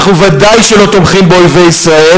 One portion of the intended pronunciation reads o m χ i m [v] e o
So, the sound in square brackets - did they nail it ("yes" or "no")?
no